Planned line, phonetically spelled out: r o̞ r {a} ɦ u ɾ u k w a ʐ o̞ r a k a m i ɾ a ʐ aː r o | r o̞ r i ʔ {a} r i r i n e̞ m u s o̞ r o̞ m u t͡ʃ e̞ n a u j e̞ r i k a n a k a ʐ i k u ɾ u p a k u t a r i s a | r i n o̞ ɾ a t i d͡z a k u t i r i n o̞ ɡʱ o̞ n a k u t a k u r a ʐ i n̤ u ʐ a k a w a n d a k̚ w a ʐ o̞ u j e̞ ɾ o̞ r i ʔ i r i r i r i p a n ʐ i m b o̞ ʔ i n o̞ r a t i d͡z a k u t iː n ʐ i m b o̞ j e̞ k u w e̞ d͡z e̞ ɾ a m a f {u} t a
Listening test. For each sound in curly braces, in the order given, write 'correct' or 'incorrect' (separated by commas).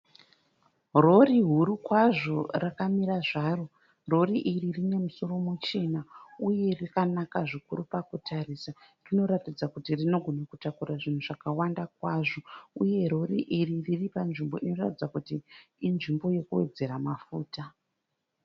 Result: incorrect, incorrect, incorrect